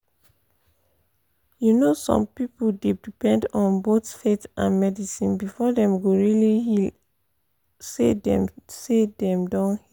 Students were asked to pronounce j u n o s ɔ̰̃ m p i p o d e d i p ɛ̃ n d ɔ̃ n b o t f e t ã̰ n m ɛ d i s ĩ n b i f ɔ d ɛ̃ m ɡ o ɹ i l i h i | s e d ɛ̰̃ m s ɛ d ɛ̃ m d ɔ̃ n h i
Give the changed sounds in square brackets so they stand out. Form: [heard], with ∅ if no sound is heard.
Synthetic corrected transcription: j u n o s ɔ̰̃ m p i p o d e d i p ɛ̃ n d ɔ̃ n b o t f e t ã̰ n m ɛ d i s ĩ n b i f ɔ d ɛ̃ m ɡ o ɹ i l i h i | s e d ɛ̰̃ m s [e] d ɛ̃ m d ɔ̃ n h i